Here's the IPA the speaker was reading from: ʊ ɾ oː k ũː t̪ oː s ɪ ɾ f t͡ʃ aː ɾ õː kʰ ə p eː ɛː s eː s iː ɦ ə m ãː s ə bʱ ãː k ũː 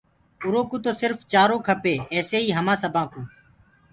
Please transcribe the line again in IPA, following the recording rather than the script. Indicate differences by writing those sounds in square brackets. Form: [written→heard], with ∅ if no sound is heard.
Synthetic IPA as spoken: ʊ ɾ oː k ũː t̪ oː s ɪ ɾ f t͡ʃ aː ɾ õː kʰ ə p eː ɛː s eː [s→∅] iː ɦ ə m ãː s ə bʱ ãː k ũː